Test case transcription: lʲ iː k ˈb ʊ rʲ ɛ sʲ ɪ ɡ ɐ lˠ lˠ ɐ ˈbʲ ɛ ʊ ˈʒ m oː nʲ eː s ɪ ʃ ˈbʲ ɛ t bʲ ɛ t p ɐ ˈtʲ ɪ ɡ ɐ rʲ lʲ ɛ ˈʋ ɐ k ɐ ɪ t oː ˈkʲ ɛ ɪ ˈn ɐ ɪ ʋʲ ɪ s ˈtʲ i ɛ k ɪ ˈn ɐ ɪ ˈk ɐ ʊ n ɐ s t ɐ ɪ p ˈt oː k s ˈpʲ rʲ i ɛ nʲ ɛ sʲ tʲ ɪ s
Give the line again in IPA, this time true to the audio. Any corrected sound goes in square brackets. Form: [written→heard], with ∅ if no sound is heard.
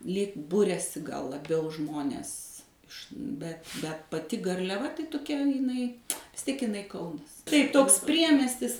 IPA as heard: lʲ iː k ˈb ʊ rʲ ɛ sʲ ɪ ɡ ɐ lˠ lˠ ɐ ˈbʲ ɛ ʊ ˈʒ m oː nʲ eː s ɪ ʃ ˈbʲ ɛ t bʲ ɛ t p ɐ ˈtʲ ɪ ɡ ɐ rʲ lʲ ɛ ˈʋ ɐ [k→t] ɐ ɪ t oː ˈkʲ ɛ ɪ ˈn ɐ ɪ ʋʲ ɪ s ˈtʲ i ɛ k ɪ ˈn ɐ ɪ ˈk ɐ ʊ n ɐ s t ɐ ɪ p ˈt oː k s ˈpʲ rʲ i ɛ [nʲ→mʲ] ɛ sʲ tʲ ɪ s